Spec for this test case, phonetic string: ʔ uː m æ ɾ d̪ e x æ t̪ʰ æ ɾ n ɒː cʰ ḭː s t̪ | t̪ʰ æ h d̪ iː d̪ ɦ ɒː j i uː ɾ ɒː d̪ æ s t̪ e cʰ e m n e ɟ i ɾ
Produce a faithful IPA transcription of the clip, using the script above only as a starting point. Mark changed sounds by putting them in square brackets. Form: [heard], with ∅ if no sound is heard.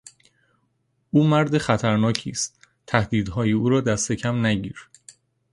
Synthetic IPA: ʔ uː m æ ɾ d̪ e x æ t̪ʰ æ ɾ n ɒː cʰ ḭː s t̪ | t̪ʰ æ h d̪ iː d̪ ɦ ɒː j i uː ɾ ɒː d̪ æ s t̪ e cʰ [æ] m n [æ] ɟ [iː] ɾ

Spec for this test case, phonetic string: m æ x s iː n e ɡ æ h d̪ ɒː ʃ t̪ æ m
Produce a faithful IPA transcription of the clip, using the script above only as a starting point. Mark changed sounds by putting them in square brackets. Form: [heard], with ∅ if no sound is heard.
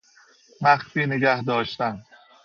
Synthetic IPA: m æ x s iː n e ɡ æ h d̪ ɒː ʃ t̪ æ [n]

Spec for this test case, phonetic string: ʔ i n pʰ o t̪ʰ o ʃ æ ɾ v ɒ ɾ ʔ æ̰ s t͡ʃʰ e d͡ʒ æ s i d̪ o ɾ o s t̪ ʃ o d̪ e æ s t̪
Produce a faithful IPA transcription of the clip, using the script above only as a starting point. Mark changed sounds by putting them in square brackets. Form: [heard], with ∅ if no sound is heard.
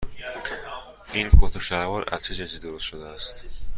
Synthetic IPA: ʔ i n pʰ o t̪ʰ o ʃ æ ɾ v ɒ ɾ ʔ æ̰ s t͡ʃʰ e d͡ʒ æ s i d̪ o ɾ o s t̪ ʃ o d̪ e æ s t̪

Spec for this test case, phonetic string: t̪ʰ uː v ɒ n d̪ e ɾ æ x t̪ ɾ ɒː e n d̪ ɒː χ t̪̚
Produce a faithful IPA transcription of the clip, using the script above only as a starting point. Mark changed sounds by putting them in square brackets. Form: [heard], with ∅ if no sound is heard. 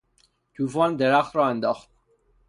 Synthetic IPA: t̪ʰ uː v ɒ n d̪ e ɾ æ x t̪ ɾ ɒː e n d̪ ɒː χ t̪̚

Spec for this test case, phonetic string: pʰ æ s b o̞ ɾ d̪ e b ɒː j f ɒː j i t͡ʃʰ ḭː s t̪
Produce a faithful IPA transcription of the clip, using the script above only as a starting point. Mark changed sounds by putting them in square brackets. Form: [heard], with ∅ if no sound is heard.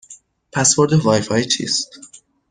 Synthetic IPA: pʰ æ s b o̞ ɾ d̪ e [v] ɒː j f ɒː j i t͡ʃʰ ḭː s t̪

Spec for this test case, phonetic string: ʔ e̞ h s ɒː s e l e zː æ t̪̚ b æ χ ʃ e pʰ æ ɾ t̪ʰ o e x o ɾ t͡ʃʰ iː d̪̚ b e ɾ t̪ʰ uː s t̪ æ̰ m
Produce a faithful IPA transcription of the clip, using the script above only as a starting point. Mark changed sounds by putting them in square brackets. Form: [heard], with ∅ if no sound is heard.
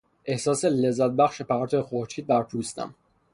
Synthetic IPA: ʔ e̞ h s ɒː s e l e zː æ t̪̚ b æ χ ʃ e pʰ æ ɾ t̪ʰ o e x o ɾ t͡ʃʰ iː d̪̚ b [æ] ɾ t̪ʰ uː s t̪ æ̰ m

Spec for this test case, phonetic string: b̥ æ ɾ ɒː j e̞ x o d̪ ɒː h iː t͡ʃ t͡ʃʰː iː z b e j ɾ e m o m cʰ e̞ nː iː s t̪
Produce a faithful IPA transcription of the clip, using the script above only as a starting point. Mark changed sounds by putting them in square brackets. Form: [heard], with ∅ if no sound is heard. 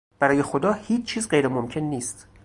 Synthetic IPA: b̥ æ ɾ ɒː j e̞ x o d̪ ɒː h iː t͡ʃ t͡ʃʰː iː z [ɢ] e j ɾ e m o m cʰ e̞ nː iː s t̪

